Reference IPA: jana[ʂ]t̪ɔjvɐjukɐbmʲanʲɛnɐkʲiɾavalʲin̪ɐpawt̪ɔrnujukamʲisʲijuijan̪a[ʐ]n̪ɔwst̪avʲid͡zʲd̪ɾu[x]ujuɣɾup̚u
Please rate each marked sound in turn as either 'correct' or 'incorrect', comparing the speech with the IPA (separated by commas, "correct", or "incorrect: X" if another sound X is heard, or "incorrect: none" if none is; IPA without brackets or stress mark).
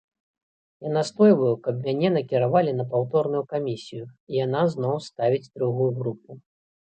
incorrect: s, incorrect: z, incorrect: ɣ